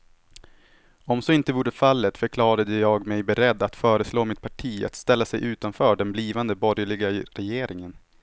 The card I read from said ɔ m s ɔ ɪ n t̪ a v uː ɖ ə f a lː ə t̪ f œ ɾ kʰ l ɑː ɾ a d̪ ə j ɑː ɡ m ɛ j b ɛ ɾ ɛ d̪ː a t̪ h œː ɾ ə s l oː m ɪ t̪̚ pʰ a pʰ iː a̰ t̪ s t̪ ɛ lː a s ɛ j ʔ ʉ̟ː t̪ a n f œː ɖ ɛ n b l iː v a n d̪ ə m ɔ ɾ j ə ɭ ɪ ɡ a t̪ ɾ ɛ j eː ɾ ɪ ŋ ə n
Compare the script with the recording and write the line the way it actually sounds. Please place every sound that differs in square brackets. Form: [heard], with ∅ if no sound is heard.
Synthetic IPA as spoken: ɔ m s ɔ ɪ n t̪ [ə] v uː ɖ ə f a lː ə t̪ f œ ɾ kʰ l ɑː ɾ a d̪ ə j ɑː ɡ m ɛ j b ɛ ɾ ɛ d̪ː a t̪ [f] œː ɾ ə s l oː m ɪ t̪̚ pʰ a [ʈʰ] iː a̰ t̪ s t̪ ɛ lː a s ɛ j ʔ ʉ̟ː t̪ a n f œː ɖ ɛ n b l iː v a n d̪ ə [b] ɔ ɾ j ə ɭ ɪ ɡ a [∅] ɾ ɛ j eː ɾ ɪ ŋ ə n